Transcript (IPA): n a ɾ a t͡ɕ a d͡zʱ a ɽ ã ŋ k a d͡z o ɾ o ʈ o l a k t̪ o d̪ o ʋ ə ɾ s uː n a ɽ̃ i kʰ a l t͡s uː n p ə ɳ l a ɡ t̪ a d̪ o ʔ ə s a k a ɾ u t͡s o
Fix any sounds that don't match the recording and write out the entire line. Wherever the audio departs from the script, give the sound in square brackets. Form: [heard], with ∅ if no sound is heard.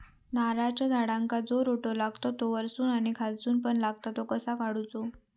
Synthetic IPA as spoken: n a ɾ a t͡ɕ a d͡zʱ a ɽ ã ŋ k a d͡z o ɾ o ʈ o l a [ɡ] t̪ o [t̪] o ʋ ə ɾ s uː n a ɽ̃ i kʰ a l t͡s uː n p ə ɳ l a ɡ t̪ a [t̪] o [k] ə s a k a [ɽ] u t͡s o